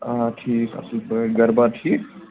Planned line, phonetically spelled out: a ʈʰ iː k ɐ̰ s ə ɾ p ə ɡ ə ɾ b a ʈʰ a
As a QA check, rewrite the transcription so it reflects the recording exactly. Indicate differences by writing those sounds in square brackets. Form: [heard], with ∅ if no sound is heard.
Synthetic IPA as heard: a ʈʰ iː k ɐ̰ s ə [l] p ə ɡ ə ɾ b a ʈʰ [i]